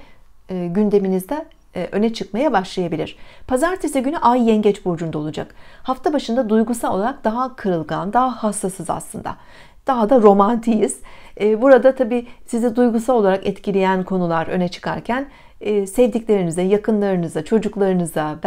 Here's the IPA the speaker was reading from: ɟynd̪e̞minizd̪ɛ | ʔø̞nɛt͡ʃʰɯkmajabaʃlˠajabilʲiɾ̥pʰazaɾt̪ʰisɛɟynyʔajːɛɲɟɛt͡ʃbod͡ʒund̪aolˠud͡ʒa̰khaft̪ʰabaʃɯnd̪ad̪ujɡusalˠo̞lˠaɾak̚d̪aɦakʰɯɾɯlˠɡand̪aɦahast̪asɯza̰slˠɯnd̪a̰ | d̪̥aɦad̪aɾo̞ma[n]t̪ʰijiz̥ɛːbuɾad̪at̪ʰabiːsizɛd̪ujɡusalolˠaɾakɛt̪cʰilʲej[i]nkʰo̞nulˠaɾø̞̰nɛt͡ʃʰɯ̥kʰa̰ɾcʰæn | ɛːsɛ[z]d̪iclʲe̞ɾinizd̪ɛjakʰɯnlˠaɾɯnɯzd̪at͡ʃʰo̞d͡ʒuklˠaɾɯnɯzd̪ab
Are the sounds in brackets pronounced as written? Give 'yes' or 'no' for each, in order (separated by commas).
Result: yes, no, no